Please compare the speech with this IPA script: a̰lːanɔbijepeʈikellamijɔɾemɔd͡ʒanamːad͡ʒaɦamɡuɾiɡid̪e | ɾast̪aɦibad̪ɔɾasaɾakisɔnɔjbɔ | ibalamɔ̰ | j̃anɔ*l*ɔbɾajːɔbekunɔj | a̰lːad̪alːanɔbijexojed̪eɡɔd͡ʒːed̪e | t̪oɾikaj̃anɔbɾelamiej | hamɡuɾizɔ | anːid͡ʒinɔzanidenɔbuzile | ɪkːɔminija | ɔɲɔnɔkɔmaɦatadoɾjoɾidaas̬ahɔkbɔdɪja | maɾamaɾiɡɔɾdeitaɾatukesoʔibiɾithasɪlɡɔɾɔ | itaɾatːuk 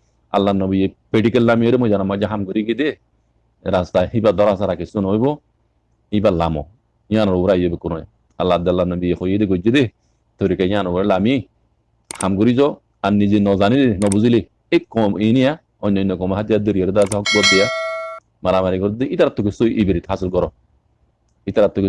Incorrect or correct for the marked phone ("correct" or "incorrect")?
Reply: incorrect